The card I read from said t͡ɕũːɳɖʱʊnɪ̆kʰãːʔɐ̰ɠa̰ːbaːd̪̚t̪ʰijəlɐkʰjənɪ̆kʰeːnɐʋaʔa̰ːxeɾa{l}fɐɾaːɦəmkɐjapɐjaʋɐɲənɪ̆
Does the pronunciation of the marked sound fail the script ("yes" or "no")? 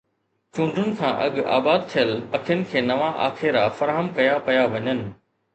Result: yes